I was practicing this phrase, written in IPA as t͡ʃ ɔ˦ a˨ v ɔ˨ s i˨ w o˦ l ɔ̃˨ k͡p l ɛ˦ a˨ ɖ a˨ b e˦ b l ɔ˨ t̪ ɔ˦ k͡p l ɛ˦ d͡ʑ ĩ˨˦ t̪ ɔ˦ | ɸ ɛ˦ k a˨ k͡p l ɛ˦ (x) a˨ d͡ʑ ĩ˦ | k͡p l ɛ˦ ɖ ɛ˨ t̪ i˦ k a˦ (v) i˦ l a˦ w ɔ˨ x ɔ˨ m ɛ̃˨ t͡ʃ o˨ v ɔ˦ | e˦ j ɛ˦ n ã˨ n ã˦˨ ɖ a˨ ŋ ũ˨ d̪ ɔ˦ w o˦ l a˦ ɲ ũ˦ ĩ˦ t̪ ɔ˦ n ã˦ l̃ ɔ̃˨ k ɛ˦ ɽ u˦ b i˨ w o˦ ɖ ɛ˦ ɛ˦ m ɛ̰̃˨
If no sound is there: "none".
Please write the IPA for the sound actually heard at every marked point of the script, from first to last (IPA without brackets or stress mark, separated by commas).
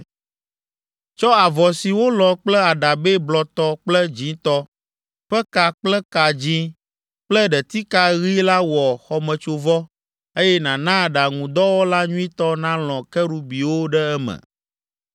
k, ɣ